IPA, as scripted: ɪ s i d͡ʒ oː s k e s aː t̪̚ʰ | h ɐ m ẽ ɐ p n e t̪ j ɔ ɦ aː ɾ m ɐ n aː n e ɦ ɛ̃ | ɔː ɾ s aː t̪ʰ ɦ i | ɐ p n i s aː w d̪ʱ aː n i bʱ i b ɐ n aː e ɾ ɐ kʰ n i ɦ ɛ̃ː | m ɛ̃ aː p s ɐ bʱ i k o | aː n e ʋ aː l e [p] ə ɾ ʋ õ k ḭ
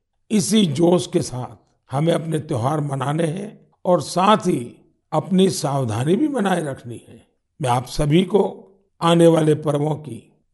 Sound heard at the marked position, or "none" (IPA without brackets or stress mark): p